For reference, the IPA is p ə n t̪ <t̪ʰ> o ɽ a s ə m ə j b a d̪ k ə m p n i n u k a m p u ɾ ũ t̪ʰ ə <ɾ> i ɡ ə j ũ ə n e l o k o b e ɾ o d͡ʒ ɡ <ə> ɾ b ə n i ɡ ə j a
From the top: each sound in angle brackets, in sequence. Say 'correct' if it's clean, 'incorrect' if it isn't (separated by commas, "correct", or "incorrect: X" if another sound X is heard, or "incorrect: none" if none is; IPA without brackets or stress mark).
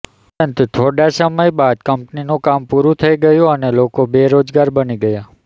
correct, incorrect: none, incorrect: a